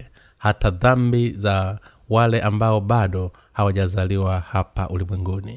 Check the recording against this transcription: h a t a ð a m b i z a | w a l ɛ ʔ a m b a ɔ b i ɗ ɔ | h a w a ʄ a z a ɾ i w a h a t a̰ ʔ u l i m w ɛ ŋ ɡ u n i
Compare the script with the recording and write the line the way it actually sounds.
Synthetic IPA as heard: h a t a ð a m b i z a | w a l ɛ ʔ a m b a ɔ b a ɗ ɔ | h a w a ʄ a z a l i w a h a p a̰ ʔ u l i m w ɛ ŋ ɡ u n i